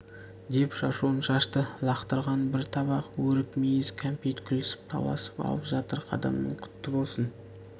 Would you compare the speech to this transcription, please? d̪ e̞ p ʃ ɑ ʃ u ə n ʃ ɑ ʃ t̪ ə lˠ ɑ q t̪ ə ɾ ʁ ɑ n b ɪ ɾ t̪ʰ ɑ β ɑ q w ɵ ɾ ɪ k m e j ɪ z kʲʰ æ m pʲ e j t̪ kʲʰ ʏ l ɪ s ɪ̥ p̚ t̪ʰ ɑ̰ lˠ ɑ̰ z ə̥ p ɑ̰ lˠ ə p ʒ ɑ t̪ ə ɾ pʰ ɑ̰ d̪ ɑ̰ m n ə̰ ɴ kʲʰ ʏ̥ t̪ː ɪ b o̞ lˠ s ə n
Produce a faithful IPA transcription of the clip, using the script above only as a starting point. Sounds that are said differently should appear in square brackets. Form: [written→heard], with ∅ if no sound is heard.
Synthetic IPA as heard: d̪ e̞ p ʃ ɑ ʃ u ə n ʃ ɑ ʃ t̪ ə lˠ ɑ q t̪ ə ɾ ʁ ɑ n b ɪ ɾ t̪ʰ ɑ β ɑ q w ɵ ɾ ɪ k m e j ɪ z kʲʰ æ m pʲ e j t̪ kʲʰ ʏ l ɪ s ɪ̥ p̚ t̪ʰ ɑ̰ lˠ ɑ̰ [z→s] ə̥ p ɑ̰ lˠ ə p ʒ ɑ t̪ ə ɾ [pʰ→qʰ] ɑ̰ d̪ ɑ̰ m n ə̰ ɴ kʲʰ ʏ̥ t̪ː ɪ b o̞ lˠ s ə n

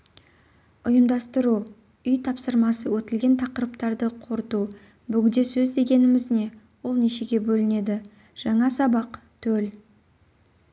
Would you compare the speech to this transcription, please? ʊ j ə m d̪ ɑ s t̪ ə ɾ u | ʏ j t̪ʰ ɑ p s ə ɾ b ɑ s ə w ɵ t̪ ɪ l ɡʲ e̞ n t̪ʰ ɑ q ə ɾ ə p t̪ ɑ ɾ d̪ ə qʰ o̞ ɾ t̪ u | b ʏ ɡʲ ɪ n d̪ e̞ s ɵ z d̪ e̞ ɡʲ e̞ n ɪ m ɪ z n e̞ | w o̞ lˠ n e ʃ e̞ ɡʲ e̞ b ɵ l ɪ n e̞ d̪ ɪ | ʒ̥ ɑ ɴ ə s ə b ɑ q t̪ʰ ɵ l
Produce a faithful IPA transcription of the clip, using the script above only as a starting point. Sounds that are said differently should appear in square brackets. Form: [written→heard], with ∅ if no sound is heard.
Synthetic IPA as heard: ʊ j ə m d̪ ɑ s t̪ ə ɾ u | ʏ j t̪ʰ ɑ p s ə ɾ [b→m] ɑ s ə w ɵ t̪ ɪ l ɡʲ e̞ n t̪ʰ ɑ q ə ɾ ə p t̪ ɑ ɾ d̪ ə qʰ o̞ ɾ t̪ u | b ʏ ɡʲ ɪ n d̪ e̞ s ɵ z d̪ e̞ ɡʲ e̞ n ɪ m ɪ z n e̞ | w o̞ lˠ n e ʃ e̞ ɡʲ e̞ b ɵ l ɪ n e̞ d̪ ɪ | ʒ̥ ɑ ɴ [ə→ɑ] s [ə→ɑ] b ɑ q t̪ʰ ɵ l

